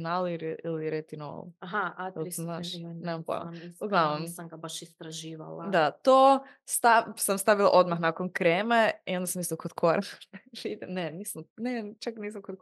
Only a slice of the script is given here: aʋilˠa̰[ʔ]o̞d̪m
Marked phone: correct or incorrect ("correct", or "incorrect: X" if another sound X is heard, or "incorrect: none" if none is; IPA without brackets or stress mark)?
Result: correct